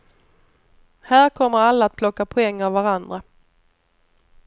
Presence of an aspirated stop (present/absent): present